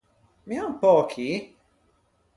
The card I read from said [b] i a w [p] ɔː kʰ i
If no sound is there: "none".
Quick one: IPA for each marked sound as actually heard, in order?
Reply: m, p

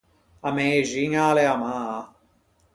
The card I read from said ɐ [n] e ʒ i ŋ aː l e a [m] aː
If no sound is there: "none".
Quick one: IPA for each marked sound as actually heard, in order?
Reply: m, m

